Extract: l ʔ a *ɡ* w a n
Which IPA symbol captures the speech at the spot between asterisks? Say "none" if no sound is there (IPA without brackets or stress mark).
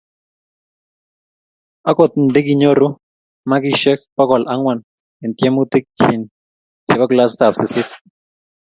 ŋ